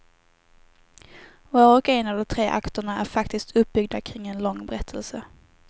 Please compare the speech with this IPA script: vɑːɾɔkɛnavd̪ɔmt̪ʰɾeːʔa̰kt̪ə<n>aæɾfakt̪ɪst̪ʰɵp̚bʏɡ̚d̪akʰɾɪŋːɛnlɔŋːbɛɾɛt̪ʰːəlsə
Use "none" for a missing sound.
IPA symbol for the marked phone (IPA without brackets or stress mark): ɳ